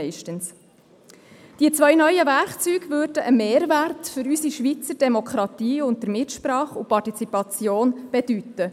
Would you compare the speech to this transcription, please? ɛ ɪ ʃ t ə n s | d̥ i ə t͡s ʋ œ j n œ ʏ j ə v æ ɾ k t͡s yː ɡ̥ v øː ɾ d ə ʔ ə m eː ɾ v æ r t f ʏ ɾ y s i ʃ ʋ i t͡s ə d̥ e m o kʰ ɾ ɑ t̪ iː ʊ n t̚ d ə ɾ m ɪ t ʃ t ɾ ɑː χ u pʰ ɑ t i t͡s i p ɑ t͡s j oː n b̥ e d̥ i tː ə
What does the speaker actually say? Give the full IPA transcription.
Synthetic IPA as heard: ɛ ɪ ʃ t ə n s | d̥ i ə t͡s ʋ œ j n œ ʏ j ə v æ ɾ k t͡s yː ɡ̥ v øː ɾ d ə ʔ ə m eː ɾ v æ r t f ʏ ɾ y s i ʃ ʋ i t͡s ə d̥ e m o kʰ ɾ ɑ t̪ iː ʊ n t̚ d ə ɾ m ɪ t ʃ p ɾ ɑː χ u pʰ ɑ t i t͡s i p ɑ t͡s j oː n b̥ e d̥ y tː ə